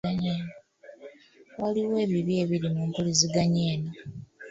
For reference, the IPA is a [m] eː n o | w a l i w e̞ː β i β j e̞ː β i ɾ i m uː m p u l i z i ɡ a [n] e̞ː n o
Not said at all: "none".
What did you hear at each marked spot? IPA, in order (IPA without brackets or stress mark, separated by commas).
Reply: ɲ, ɲ